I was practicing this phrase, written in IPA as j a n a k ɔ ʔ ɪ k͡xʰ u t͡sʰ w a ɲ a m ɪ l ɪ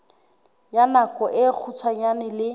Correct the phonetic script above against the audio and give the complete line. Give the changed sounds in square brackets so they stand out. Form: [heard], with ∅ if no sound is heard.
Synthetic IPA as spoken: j a n a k ɔ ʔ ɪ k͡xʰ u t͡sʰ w a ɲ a [n] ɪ l ɪ